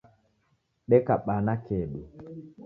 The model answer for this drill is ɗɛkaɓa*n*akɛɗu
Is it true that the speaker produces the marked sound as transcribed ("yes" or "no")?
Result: yes